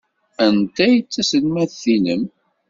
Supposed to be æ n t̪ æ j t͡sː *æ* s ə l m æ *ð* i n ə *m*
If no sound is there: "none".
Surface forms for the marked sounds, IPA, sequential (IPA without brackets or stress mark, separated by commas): æ, θ, m